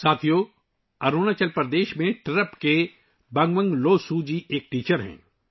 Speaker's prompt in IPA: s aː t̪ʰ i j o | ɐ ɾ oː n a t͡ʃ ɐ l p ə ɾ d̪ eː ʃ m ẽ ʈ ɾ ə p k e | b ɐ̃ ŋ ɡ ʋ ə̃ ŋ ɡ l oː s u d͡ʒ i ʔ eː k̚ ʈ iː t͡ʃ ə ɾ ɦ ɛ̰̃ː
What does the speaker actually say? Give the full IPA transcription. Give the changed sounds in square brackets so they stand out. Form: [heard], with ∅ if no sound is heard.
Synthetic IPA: s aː t̪ʰ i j o | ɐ ɾ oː n a t͡ʃ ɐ l p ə ɾ d̪ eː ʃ m ẽ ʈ ɾ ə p k e | b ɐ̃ ŋ ɡ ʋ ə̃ ŋ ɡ l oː s u d͡ʒ i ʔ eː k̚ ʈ iː t͡ʃ ə ɾ ɦ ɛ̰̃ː